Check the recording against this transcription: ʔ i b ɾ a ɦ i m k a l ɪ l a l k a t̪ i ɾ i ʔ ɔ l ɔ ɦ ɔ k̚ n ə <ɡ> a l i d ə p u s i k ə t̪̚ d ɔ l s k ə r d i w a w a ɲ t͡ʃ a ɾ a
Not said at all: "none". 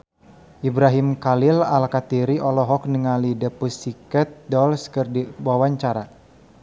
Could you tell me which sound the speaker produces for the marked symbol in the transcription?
ŋ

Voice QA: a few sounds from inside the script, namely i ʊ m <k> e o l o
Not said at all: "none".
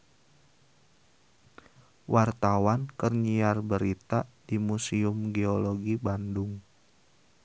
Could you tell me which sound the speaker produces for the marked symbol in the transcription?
ɡ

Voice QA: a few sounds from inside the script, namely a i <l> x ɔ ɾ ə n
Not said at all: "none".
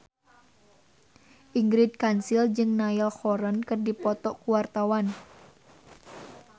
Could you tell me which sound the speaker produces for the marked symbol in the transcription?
l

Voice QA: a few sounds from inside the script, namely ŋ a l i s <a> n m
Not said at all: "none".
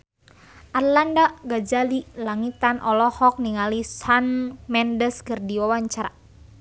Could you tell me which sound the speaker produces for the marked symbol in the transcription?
a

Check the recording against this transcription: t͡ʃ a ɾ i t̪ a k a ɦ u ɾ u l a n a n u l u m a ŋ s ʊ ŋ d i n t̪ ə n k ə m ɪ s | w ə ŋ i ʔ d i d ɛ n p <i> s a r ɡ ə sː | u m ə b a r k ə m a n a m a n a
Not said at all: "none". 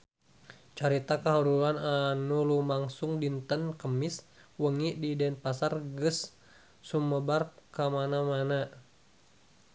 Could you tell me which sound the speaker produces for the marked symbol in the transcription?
a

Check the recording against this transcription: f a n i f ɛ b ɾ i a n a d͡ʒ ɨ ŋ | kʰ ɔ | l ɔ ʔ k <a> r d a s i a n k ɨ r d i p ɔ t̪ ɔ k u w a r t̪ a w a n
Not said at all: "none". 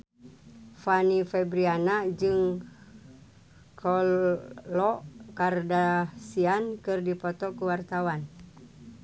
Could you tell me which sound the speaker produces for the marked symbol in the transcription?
a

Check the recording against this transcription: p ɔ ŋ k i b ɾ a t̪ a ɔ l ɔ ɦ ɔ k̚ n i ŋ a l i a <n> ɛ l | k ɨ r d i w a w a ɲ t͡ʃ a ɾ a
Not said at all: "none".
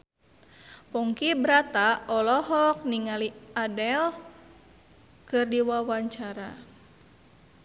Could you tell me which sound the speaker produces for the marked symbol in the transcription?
d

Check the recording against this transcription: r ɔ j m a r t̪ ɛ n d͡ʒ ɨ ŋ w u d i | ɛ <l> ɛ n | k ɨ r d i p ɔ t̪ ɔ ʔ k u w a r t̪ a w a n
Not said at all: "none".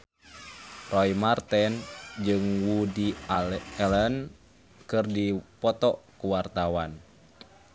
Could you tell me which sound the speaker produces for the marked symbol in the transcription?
l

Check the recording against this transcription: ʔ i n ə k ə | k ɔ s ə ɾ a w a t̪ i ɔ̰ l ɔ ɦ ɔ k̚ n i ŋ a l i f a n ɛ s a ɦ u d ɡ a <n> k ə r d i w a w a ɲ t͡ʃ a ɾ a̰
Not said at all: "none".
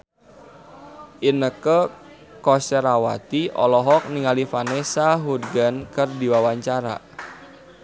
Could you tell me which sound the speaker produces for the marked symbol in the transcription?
n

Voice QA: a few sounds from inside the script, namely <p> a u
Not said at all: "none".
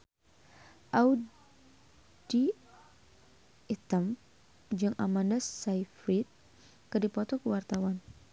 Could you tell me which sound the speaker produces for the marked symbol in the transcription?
ʔ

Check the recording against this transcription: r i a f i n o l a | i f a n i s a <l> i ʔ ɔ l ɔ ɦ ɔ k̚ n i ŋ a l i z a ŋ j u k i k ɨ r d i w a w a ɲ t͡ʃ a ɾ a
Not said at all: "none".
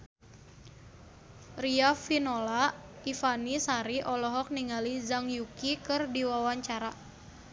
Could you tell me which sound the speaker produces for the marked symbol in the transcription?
ɾ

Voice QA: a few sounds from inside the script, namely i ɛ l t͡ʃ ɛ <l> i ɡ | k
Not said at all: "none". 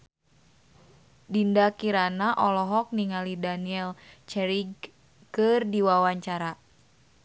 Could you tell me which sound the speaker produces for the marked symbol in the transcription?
ɾ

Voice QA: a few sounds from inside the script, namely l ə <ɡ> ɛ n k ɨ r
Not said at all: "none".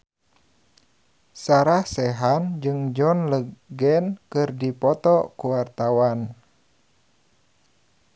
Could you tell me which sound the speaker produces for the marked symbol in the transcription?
ɡ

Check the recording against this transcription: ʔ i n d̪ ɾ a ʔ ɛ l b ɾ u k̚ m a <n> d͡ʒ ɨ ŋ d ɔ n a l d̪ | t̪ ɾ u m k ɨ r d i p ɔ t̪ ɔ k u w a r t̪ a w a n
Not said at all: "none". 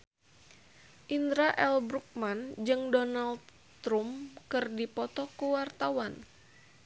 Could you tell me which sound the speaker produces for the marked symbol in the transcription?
n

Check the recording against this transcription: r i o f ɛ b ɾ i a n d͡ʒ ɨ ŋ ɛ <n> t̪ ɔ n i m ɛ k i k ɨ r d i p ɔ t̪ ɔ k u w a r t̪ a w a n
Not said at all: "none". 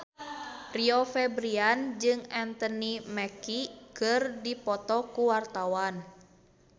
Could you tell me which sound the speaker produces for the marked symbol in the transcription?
n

